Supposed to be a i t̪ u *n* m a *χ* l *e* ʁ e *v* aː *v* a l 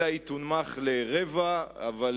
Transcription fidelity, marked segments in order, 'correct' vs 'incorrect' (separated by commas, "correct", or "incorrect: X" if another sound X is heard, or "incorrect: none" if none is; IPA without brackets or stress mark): correct, correct, correct, correct, correct